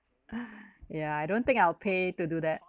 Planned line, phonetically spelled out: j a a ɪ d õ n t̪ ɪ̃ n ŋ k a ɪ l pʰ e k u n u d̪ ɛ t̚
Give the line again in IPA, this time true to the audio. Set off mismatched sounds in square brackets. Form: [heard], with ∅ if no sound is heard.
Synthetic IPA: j a a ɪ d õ n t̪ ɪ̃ [∅] ŋ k a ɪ l pʰ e [t] u [d] u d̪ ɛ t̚